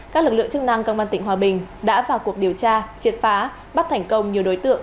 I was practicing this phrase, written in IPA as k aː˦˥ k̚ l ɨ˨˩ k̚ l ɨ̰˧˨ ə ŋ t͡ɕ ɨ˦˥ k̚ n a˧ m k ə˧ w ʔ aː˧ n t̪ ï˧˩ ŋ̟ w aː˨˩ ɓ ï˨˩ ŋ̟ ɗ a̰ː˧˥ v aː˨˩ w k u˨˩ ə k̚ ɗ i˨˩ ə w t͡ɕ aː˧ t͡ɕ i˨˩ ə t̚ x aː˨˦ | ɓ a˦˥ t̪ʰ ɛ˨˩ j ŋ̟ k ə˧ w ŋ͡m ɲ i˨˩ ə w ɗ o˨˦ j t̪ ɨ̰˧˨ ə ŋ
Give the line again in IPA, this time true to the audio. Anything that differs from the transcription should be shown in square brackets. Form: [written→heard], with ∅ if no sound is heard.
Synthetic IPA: k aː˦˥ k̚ l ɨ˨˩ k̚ l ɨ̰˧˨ ə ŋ t͡ɕ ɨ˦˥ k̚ n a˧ [m→ŋ] k ə˧ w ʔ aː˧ n t̪ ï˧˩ ŋ̟ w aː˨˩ ɓ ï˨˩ ŋ̟ ɗ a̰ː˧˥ v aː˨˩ w k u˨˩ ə k̚ ɗ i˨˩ ə w t͡ɕ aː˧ t͡ɕ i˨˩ ə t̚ [x→f] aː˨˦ | ɓ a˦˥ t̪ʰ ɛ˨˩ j ŋ̟ k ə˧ w ŋ͡m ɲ i˨˩ ə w ɗ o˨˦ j t̪ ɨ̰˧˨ ə ŋ